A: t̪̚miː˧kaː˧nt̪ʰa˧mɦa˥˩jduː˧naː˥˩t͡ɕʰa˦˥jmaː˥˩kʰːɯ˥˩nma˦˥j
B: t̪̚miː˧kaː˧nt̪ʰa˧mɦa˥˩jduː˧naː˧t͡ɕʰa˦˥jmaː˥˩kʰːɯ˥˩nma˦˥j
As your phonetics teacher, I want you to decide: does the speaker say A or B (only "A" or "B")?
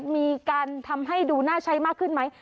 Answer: A